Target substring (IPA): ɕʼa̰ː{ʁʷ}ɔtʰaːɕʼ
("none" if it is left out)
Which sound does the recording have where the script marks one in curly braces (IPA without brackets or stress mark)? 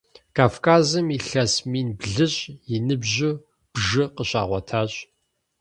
ʁʷ